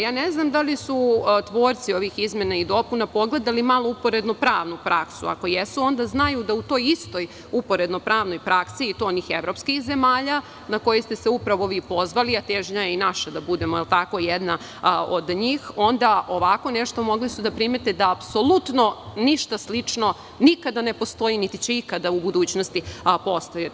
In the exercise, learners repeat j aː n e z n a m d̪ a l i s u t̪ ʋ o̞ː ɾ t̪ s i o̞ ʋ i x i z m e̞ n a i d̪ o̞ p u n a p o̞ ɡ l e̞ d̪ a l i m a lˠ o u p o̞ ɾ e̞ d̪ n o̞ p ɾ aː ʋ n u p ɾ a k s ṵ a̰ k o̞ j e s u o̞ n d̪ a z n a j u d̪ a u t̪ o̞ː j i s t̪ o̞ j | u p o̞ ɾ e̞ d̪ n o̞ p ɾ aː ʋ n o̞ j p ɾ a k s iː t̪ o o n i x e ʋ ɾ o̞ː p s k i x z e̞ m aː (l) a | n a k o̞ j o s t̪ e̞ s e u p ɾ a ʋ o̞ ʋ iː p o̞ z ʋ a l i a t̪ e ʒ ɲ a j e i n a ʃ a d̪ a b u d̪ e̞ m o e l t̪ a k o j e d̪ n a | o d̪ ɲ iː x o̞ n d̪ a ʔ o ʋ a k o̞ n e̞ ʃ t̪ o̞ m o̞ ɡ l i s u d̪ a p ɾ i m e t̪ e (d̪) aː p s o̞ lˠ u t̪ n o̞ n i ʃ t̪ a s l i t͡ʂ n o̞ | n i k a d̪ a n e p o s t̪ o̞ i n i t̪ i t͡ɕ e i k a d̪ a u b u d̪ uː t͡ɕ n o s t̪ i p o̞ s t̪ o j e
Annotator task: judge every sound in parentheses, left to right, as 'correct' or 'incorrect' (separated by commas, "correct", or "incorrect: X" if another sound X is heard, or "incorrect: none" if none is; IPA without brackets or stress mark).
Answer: incorrect: ʎ, correct